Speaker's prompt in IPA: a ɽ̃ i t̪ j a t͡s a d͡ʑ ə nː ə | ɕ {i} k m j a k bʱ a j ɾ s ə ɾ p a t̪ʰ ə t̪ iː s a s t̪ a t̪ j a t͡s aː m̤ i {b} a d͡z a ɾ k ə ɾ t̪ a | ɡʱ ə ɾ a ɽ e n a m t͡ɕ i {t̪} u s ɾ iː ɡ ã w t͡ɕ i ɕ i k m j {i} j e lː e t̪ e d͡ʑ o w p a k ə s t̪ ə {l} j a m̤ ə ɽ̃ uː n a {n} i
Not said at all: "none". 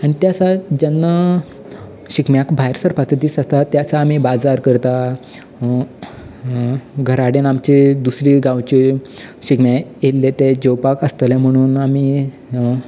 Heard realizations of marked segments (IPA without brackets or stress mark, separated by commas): i, b, d̪, a, l, m